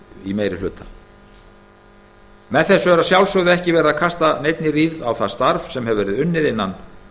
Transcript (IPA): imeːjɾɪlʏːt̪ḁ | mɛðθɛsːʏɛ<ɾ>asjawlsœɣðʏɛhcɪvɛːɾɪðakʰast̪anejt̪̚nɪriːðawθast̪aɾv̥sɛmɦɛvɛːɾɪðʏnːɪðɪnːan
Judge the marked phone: correct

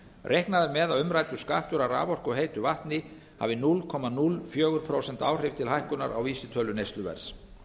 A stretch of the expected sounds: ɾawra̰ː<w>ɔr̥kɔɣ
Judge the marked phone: incorrect: v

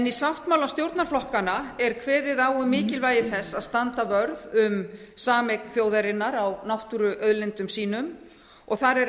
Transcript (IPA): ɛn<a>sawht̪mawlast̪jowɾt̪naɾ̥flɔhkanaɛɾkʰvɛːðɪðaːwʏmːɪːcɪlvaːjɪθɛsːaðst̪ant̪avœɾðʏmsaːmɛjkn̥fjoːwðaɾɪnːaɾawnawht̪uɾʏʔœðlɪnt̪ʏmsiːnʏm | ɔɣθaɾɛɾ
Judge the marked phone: incorrect: i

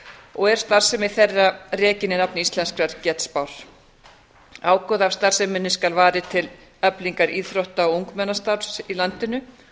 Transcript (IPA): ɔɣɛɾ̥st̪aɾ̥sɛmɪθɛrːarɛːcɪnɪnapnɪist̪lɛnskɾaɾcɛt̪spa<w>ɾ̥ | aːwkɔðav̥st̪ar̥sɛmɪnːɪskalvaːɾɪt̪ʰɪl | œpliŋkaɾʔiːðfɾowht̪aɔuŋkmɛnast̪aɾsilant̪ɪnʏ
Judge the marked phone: correct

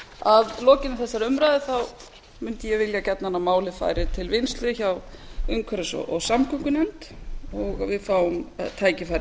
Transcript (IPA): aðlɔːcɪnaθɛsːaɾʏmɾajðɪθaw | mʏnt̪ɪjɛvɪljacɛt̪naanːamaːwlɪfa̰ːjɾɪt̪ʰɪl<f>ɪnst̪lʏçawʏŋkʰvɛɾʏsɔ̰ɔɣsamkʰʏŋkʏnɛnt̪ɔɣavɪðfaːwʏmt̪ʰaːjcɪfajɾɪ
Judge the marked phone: incorrect: v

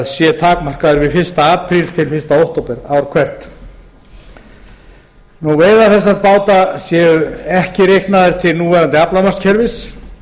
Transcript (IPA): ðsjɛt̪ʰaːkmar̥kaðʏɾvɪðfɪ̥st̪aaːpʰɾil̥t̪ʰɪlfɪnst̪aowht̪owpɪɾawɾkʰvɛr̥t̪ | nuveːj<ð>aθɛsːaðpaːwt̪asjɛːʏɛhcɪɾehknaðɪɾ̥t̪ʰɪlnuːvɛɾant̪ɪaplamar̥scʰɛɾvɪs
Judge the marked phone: correct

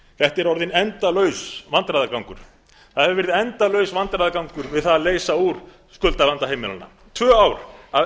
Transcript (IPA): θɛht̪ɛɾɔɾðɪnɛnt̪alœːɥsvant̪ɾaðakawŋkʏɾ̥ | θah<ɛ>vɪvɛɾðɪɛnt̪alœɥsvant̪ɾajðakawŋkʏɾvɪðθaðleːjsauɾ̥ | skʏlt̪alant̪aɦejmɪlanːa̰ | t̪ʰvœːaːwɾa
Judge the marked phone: correct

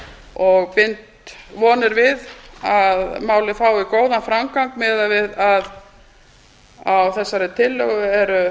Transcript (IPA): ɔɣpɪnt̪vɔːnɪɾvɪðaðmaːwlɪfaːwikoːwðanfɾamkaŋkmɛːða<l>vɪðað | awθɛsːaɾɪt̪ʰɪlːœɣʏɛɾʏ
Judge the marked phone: incorrect: none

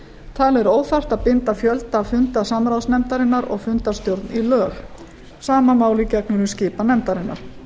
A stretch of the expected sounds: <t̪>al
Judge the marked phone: incorrect: t̪ʰ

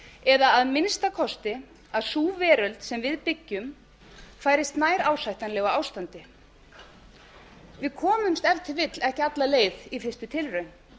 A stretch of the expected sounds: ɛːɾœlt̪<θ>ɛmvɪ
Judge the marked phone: incorrect: s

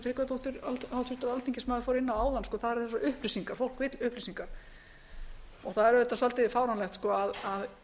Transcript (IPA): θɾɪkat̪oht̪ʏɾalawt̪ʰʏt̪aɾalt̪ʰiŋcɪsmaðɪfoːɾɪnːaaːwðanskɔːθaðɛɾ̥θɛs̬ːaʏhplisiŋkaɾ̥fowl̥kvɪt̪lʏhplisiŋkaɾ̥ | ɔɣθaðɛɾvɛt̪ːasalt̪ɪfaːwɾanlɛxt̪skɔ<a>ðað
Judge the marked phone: correct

